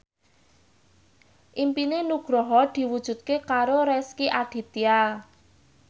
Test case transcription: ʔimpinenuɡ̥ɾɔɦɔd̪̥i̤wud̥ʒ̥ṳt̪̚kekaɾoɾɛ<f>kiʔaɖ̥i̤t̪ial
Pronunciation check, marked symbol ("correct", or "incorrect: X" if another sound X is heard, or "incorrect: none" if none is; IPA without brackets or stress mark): incorrect: s